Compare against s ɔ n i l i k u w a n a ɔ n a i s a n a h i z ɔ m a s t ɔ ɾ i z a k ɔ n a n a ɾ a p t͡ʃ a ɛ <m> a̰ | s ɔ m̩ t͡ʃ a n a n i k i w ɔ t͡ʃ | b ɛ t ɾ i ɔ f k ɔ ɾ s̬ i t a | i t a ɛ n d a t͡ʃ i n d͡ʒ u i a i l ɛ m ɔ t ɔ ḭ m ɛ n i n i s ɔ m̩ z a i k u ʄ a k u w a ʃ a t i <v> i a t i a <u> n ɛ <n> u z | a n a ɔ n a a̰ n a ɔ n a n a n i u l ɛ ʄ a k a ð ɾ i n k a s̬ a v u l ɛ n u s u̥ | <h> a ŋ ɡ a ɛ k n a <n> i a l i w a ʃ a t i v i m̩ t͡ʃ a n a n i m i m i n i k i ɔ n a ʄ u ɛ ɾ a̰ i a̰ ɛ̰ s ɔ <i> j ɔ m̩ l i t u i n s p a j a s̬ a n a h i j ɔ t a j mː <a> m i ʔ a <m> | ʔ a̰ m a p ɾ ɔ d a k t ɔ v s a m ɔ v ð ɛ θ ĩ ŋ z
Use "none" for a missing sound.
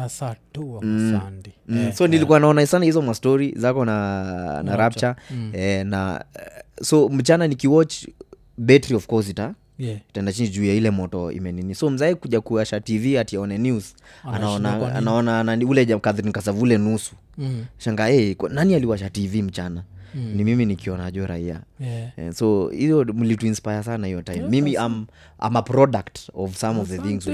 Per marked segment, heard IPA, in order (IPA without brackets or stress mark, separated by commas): n, v, ɔ, n, ʃ, n, i, i, m